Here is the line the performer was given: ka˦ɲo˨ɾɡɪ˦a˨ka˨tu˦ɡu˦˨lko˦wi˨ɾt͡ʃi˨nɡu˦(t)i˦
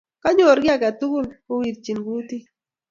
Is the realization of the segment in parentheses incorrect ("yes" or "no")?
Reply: no